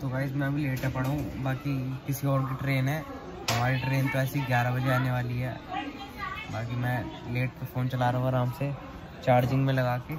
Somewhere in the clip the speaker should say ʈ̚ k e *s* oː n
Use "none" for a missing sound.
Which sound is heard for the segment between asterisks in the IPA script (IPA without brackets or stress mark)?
f